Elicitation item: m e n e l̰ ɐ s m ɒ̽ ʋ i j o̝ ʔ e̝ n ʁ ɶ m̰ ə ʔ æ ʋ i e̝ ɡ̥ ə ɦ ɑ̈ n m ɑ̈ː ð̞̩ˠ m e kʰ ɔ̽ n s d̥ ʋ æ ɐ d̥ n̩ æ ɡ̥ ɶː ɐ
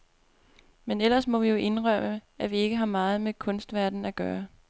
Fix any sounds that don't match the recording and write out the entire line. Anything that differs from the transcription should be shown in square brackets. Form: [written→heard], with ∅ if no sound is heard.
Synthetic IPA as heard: m e n e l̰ ɐ s m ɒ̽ ʋ i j o̝ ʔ e̝ n ʁ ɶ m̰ ə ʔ æ ʋ i e̝ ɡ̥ ə ɦ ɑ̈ [n→∅] m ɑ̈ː ð̞̩ˠ m e kʰ ɔ̽ n s d̥ ʋ æ ɐ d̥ n̩ æ ɡ̥ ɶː ɐ